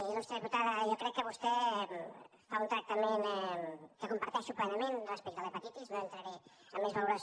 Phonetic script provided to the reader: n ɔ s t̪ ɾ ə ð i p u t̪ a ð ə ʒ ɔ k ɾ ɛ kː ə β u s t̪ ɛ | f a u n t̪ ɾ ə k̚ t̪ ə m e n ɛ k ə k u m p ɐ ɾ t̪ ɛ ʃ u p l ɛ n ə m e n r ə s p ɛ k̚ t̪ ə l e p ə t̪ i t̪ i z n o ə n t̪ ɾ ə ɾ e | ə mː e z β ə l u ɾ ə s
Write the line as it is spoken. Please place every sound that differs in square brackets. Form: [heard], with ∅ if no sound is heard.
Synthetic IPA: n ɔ s t̪ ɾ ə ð i p u t̪ a ð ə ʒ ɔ k ɾ ɛ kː ə β u s t̪ ɛ | f a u n t̪ ɾ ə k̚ t̪ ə m e n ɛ k ə k u m p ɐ ɾ t̪ ɛ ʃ u p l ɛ n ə m e n r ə s p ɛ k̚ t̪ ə l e p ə t̪ i t̪ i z n o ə n t̪ ɾ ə ɾ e | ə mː e z β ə l u ɾ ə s

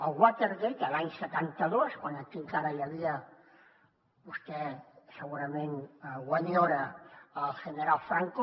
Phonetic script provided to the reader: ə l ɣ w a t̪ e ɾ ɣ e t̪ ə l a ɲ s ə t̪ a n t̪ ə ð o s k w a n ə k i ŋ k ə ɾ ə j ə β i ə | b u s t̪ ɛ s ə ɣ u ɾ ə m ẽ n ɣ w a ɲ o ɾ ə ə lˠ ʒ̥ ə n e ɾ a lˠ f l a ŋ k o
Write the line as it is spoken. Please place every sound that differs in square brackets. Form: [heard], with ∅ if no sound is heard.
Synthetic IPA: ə l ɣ w a t̪ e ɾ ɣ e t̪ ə l a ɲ s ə t̪ a n t̪ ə ð o s k w a n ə k i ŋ k [a] ɾ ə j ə β i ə | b u s t̪ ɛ s ə ɣ u ɾ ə m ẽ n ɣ w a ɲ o ɾ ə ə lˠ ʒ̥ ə n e ɾ a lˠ f [ɾ] a ŋ k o

